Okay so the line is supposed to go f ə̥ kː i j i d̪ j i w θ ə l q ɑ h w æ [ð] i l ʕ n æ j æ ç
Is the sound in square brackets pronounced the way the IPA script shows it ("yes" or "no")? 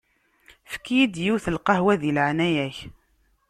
yes